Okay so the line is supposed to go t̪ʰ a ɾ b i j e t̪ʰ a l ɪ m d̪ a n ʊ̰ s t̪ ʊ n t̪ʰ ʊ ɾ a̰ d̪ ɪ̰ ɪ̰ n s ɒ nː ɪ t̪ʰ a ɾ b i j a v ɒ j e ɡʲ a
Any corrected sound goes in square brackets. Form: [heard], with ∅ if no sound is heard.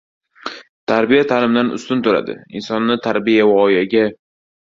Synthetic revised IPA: t̪ʰ a ɾ b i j [a] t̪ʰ a l ɪ m d̪ a n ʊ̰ s t̪ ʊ n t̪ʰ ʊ ɾ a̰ d̪ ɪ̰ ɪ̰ n s ɒ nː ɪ t̪ʰ a ɾ b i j a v ɒ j [a] ɡʲ a